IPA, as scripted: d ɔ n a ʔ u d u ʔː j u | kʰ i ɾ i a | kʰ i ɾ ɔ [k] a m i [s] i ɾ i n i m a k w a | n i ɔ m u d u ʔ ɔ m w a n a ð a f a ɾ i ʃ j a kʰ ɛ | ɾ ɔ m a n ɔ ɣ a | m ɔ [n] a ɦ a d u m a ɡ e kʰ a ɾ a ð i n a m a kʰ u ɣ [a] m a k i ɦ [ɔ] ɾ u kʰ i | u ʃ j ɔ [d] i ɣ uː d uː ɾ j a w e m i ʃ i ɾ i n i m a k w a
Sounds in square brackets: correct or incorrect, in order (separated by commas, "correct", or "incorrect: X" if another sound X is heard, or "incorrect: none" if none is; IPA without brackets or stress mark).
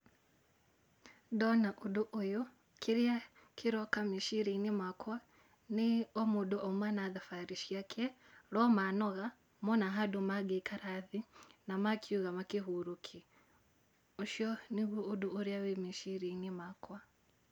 correct, incorrect: ʃ, correct, correct, incorrect: u, incorrect: n